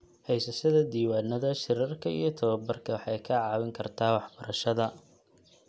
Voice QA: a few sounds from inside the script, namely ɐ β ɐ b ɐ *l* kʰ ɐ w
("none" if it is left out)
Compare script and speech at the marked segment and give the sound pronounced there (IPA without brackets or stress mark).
r